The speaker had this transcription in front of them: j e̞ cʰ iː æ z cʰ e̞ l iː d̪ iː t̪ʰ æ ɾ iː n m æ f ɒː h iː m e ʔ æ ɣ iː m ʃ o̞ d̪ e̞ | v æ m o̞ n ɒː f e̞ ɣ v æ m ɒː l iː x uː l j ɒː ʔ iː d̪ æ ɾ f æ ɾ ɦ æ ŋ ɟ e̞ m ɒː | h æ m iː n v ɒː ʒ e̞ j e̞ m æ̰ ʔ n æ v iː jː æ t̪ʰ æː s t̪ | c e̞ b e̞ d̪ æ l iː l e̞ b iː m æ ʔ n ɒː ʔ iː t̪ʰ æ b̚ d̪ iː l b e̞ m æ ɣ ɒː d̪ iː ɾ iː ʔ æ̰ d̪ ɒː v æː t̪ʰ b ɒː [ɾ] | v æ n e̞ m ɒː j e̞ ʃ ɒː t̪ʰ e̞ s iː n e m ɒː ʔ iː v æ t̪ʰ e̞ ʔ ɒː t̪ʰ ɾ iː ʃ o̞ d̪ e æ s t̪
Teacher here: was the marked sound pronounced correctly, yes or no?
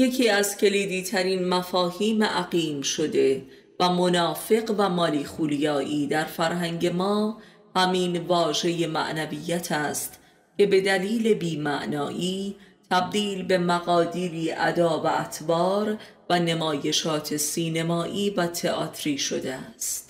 yes